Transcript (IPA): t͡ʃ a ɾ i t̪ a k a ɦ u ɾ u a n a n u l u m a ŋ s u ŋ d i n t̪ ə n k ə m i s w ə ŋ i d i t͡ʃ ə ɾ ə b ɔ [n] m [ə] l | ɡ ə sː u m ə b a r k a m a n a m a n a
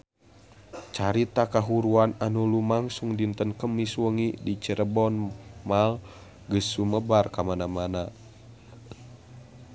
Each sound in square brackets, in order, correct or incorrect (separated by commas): correct, incorrect